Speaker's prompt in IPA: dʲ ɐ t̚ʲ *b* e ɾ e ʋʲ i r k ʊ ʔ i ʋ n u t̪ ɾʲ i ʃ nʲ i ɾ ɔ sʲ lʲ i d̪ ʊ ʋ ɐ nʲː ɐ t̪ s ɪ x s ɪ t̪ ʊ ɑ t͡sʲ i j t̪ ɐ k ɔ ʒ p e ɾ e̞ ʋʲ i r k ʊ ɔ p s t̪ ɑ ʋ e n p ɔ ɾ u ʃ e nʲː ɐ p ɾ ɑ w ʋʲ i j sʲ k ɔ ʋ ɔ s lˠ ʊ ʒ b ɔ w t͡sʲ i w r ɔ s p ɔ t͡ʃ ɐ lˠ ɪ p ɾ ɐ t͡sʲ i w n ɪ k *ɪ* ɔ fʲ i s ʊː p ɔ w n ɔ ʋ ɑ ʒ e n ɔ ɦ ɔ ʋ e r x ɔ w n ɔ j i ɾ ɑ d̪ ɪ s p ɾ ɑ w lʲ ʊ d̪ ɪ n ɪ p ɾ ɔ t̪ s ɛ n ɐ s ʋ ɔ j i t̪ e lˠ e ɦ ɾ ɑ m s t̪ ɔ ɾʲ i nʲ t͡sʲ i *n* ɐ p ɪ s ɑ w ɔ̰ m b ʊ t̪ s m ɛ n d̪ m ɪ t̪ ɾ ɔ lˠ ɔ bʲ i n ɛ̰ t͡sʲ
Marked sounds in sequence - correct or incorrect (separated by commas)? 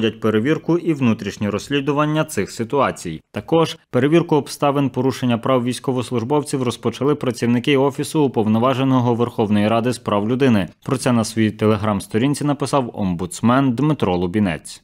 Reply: incorrect, correct, correct